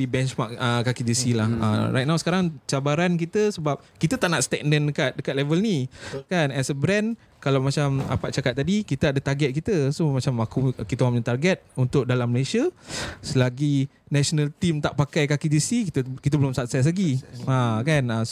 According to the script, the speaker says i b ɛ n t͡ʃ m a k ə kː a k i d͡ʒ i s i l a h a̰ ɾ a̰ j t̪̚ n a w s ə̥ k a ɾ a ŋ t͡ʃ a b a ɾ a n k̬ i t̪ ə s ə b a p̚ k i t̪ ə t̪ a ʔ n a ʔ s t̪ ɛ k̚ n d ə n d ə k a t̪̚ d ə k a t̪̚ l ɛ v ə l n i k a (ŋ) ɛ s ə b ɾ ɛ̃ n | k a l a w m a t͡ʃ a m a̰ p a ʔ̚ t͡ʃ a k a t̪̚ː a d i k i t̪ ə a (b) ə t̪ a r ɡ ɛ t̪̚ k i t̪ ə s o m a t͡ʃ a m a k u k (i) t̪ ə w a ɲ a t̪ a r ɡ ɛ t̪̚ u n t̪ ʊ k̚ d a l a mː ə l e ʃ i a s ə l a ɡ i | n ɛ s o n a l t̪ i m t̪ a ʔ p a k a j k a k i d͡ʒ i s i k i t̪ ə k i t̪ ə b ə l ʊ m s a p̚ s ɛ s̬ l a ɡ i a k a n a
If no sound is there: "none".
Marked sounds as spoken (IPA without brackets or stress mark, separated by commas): n, d, i